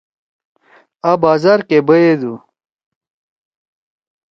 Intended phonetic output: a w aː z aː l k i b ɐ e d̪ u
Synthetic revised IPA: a b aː z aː ɾ k e b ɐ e d̪ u

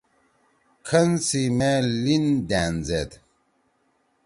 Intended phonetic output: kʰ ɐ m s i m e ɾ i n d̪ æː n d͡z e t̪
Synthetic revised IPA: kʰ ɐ n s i m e l i n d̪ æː n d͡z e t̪

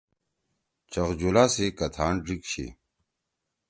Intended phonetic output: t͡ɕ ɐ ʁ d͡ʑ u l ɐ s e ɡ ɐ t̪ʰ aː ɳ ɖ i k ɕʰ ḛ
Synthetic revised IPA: t͡ɕ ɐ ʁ d͡ʑ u l a s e k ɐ t̪ʰ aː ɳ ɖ i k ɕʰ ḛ

